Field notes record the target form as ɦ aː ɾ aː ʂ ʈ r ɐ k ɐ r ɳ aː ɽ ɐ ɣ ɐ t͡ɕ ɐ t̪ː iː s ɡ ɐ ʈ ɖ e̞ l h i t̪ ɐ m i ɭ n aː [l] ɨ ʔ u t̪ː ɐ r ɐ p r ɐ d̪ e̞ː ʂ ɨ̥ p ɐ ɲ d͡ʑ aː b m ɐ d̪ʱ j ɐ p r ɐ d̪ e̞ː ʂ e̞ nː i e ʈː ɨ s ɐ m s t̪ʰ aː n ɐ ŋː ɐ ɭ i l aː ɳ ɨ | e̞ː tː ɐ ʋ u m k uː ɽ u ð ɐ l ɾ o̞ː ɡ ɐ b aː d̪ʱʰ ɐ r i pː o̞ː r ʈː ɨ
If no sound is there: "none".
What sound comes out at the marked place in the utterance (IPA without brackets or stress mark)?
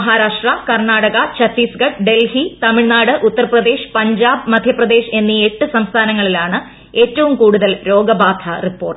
ɽ